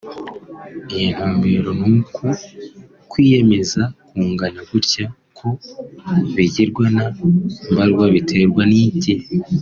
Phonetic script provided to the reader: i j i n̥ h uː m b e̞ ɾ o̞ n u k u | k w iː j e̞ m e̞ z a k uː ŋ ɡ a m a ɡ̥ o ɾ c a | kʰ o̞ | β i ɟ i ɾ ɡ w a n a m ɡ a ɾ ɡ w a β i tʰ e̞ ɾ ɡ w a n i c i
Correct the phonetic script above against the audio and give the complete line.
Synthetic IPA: i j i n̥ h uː m b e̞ ɾ o̞ n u k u | k w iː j e̞ m e̞ z a k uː ŋ ɡ a ɲ a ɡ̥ u ɾ c a | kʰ o̞ | β i ɟ i ɾ ɡ w a n a m b a ɾ ɡ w a β i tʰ e̞ ɾ ɡ w a n i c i